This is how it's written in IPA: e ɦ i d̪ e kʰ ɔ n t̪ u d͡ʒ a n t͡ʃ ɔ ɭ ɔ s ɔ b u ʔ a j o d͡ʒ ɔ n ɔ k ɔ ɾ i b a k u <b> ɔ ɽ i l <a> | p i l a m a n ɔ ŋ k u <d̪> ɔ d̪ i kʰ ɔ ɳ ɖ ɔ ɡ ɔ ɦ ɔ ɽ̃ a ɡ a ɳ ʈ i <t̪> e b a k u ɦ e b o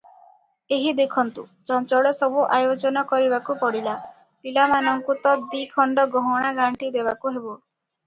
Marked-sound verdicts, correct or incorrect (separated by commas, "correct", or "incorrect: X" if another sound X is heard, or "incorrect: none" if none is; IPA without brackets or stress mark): incorrect: p, correct, incorrect: t̪, incorrect: d̪